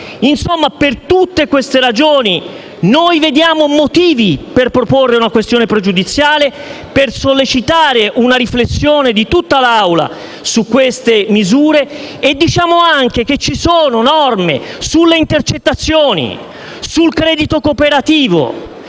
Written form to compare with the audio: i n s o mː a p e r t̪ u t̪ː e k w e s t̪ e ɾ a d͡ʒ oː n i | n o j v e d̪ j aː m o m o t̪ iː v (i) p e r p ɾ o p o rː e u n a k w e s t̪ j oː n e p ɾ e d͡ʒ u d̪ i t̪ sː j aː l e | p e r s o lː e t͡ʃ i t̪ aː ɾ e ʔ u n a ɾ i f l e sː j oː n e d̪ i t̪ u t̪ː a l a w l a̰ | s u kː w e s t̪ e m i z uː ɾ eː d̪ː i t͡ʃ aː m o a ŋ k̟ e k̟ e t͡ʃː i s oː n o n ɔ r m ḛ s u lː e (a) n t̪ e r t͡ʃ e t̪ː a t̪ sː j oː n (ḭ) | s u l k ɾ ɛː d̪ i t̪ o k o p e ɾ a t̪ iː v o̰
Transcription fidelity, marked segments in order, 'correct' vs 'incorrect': correct, incorrect: i, correct

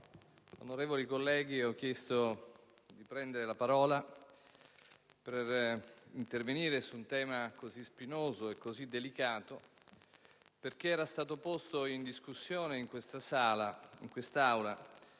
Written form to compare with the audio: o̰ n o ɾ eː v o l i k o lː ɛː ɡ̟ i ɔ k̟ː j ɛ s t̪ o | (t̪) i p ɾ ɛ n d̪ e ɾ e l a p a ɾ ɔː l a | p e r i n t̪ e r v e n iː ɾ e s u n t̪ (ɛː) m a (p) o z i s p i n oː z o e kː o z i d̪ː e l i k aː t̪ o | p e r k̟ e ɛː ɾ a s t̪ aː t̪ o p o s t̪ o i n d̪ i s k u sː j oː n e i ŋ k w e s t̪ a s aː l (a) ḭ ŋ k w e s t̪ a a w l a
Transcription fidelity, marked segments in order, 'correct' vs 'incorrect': incorrect: d̪, correct, incorrect: k, correct

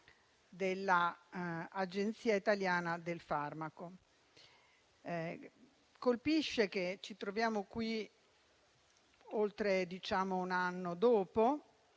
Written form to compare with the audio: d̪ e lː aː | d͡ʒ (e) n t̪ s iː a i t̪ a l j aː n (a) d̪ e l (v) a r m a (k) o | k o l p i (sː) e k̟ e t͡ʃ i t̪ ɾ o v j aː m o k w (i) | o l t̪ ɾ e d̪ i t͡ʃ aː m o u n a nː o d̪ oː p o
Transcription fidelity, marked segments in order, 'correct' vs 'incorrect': correct, correct, incorrect: f, correct, incorrect: ʃː, correct

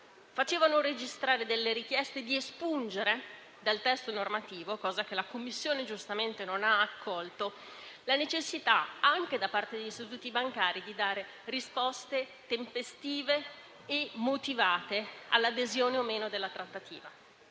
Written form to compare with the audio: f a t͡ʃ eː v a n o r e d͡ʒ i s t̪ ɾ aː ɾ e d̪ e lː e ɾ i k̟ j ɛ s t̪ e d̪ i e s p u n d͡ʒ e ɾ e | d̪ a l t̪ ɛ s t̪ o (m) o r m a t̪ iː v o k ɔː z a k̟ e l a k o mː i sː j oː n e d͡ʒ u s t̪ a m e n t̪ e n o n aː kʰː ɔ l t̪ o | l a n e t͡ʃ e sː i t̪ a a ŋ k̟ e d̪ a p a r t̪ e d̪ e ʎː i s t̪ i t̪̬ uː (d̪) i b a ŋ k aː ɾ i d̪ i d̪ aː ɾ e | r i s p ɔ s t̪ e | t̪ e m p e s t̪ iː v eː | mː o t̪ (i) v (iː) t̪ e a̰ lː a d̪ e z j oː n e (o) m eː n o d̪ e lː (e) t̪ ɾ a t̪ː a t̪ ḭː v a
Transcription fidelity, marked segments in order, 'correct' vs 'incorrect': incorrect: n, incorrect: t̪, correct, incorrect: aː, correct, incorrect: a

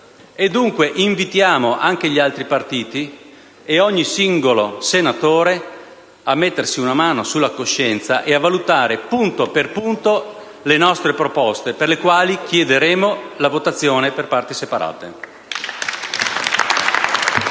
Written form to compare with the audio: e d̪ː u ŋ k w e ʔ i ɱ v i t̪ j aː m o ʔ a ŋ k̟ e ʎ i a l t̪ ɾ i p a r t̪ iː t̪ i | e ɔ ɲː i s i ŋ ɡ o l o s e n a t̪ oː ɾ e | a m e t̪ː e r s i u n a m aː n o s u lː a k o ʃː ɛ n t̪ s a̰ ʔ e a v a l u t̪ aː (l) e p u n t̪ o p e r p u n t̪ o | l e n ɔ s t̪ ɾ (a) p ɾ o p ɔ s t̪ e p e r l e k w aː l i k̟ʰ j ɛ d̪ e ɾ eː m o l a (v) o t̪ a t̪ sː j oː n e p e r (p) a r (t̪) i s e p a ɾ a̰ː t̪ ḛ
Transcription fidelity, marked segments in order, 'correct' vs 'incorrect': incorrect: ɾ, incorrect: e, correct, correct, correct

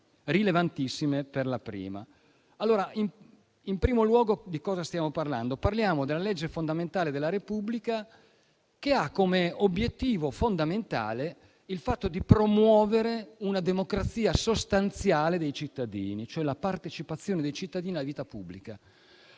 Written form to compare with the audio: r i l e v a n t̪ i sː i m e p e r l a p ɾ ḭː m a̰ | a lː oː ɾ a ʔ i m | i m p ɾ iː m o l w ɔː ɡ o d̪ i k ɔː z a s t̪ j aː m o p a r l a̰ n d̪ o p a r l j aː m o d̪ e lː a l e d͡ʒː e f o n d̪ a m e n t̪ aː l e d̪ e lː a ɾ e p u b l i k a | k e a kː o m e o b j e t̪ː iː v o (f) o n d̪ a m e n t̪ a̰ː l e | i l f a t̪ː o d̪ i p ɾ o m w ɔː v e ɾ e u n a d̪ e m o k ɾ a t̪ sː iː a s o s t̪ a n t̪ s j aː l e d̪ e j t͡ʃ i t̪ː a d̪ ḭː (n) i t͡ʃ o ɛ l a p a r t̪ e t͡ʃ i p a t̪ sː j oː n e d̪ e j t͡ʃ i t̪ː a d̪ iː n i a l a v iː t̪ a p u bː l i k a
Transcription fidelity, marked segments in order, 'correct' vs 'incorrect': correct, correct

